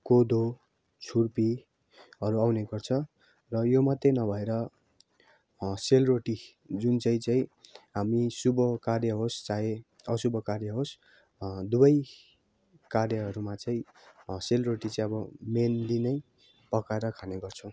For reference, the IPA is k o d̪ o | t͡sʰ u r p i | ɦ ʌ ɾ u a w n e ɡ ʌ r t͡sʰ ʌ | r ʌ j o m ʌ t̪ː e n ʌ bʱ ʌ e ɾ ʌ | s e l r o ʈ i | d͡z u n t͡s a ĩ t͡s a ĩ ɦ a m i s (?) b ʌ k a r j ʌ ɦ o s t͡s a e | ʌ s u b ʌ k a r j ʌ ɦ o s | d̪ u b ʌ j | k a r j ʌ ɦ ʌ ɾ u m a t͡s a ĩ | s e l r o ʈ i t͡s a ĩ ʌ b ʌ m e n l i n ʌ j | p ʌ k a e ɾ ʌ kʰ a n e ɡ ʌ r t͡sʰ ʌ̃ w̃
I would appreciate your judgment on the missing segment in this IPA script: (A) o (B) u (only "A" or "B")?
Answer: B